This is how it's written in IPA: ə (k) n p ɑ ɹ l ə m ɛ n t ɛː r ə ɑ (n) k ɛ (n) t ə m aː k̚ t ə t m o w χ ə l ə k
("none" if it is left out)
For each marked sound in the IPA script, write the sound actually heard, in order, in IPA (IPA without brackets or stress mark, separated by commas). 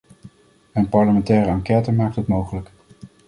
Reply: none, ŋ, none